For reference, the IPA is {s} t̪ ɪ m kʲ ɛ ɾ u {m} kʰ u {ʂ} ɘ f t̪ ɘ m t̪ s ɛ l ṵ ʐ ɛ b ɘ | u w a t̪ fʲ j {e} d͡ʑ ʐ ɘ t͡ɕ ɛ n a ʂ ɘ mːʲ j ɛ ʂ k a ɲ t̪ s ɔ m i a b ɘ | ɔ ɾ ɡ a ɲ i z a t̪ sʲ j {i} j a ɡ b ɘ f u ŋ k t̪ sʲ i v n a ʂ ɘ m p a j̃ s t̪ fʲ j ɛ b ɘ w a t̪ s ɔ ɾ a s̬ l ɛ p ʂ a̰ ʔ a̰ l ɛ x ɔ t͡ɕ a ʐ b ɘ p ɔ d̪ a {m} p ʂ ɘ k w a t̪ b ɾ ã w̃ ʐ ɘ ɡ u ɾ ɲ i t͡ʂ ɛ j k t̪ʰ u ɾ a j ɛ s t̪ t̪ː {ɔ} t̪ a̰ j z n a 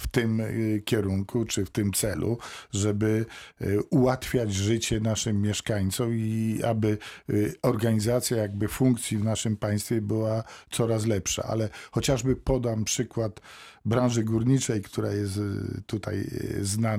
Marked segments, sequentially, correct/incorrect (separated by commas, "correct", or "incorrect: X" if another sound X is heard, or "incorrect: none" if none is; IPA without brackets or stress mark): incorrect: f, incorrect: ŋ, incorrect: t͡ʂ, incorrect: a, incorrect: a, correct, incorrect: u